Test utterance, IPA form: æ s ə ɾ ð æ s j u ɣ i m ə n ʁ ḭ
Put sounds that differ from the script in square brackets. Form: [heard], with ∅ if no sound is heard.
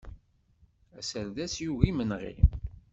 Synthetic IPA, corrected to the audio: æ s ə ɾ ð æ s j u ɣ i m ə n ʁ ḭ